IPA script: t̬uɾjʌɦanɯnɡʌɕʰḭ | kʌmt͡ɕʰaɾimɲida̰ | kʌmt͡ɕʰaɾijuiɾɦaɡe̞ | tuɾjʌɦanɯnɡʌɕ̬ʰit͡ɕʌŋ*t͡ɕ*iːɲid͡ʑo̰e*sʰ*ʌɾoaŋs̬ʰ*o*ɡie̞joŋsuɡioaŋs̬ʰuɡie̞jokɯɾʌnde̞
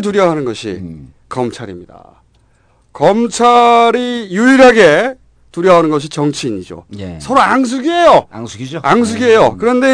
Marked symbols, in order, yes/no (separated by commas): no, yes, no